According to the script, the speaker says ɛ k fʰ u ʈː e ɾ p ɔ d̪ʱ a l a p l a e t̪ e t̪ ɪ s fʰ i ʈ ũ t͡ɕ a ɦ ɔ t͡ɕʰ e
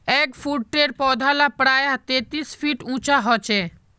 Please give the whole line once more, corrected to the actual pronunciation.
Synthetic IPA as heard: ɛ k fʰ u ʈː e ɾ p ɔ d̪ʱ a l a p ɾ a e t̪ e t̪ i s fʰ i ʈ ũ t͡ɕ a ɦ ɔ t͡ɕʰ e

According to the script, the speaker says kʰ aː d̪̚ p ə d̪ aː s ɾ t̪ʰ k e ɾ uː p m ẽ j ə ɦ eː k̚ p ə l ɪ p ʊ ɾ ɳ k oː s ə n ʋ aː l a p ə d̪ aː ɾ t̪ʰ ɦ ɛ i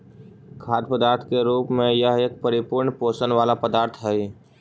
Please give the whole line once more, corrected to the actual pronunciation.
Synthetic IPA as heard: kʰ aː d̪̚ p ə d̪ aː ɾ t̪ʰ k e ɾ uː p m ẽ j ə ɦ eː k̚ p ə ɾ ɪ p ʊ ɾ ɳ p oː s ə n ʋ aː l a p ə d̪ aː ɾ t̪ʰ ɦ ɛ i

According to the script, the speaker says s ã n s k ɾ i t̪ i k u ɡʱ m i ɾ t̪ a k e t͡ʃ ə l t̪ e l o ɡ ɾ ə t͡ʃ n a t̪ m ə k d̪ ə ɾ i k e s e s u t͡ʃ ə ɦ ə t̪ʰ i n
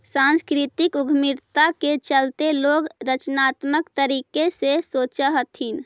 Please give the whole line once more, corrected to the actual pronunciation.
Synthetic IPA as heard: s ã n s k ɾ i t̪ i k u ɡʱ m i ɾ t̪ a k e t͡ʃ ə l t̪ e l o ɡ ɾ ə t͡ʃ n a t̪ m ə k t̪ ə ɾ i k e s e s o t͡ʃ ə ɦ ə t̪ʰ i n

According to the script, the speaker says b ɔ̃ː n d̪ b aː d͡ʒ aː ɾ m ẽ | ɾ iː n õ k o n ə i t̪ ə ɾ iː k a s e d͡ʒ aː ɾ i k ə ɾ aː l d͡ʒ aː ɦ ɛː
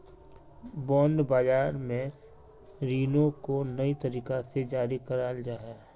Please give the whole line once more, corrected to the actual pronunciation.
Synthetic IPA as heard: b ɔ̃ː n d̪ b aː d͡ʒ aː ɾ m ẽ | ɾ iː n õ k o n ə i t̪ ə ɾ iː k a s e d͡ʒ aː ɾ i k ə ɾ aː l d͡ʒ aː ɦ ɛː

